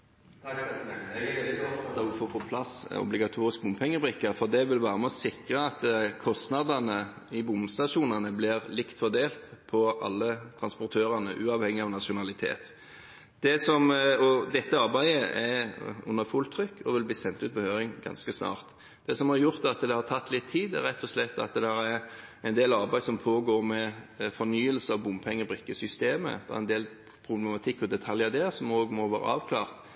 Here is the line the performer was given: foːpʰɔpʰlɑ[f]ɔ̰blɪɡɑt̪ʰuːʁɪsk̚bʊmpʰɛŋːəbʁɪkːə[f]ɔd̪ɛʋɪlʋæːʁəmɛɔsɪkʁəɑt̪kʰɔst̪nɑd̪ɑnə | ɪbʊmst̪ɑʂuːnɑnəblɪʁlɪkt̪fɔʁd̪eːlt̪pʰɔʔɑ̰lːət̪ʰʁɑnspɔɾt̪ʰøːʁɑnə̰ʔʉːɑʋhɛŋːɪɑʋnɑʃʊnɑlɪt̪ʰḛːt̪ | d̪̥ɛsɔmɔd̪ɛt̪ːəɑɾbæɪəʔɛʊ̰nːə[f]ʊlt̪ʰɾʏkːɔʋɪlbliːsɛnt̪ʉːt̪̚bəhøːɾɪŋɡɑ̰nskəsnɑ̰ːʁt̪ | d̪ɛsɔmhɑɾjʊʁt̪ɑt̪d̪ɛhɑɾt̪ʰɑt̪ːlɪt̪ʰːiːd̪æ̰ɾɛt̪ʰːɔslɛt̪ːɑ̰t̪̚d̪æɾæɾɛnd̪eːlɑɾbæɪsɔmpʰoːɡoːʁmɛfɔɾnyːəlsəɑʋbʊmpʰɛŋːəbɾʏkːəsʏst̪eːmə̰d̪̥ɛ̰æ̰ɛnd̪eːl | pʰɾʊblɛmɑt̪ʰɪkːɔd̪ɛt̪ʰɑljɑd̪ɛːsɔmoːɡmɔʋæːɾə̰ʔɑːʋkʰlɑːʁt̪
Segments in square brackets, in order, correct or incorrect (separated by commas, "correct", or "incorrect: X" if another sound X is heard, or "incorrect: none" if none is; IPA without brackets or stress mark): incorrect: s, correct, correct